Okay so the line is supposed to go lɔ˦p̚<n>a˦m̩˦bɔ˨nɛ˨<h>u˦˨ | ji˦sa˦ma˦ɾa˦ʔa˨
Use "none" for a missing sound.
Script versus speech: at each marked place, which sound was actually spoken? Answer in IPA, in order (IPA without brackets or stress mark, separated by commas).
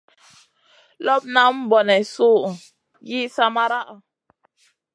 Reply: n, s